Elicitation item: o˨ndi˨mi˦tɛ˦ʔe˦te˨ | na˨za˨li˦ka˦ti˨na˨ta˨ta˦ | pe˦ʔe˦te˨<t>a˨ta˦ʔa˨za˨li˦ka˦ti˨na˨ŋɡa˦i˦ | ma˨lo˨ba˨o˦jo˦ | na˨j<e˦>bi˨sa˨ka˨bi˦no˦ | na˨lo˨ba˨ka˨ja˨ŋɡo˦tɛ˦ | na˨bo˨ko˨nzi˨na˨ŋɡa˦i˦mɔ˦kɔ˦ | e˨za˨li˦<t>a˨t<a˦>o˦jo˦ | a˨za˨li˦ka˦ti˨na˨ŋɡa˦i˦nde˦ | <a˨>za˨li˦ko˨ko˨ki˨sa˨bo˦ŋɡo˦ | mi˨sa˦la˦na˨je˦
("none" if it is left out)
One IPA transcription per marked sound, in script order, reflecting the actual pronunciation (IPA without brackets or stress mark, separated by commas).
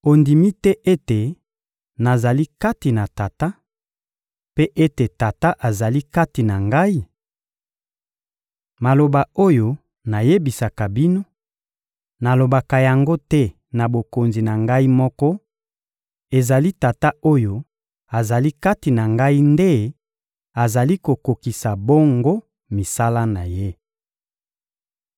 t, e˦, t, a˦, a˨